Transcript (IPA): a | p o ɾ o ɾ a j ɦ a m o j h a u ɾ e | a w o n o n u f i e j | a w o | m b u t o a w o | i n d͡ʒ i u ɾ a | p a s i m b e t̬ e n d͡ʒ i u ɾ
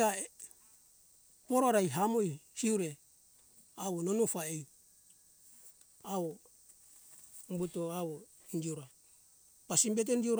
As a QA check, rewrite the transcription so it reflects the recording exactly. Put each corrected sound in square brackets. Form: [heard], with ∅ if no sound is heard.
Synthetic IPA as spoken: a | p o ɾ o ɾ a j ɦ a m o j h [i] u ɾ e | a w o n o n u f [a] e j | a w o | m b u t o a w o | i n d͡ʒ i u ɾ a | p a s i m b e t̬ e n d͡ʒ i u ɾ

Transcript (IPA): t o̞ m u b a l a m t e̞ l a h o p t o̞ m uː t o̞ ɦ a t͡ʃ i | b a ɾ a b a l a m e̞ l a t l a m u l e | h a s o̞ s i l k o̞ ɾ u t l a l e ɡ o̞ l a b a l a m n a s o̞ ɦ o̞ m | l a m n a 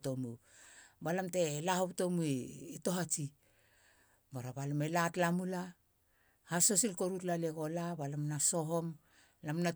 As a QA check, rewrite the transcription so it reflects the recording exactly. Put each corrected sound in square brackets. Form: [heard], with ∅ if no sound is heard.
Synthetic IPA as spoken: t o̞ m u b a l a m t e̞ l a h o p t o̞ m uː t o̞ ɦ a t͡ʃ i | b a ɾ a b a l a m e̞ l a t l a m u l [a] | h a s o̞ s i l k o̞ ɾ u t l a l e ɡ o̞ l a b a l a m n a s o̞ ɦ o̞ m | l a m n a

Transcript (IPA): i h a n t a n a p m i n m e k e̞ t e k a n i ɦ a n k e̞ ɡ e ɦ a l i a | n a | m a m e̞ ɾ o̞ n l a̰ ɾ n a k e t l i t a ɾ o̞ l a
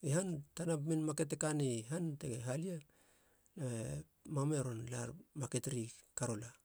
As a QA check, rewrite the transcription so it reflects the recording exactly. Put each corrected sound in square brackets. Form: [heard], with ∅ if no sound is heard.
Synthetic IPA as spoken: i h a n t a n a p m i n m [a] k e̞ t e k a n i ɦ a n [t] e̞ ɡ e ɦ a l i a | n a | m a m e̞ ɾ o̞ n l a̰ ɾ [m] a k e t [ɾ] i [k] a ɾ o̞ l a

